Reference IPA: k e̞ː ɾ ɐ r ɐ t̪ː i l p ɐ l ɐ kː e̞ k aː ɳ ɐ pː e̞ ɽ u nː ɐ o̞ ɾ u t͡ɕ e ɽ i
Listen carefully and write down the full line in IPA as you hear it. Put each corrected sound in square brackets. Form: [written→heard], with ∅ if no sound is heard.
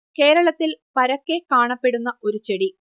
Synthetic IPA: k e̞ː ɾ ɐ [r→ɭ] ɐ t̪ː i l p ɐ [l→ɾ] ɐ kː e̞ k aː ɳ ɐ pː e̞ ɽ u nː ɐ o̞ ɾ u t͡ɕ e ɽ i